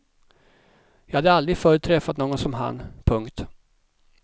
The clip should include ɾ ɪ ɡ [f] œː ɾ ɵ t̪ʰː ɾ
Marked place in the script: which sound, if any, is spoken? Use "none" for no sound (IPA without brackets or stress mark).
f